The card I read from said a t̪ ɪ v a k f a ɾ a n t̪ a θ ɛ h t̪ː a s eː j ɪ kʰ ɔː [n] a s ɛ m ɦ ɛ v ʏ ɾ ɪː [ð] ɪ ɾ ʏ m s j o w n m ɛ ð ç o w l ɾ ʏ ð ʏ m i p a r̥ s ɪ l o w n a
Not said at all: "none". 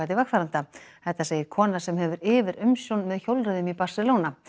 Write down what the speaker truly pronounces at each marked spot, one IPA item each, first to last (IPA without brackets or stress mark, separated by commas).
n, v